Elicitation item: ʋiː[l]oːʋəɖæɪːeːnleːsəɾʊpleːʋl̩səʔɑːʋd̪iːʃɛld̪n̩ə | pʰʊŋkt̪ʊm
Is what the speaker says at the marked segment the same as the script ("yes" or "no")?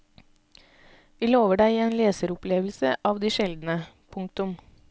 yes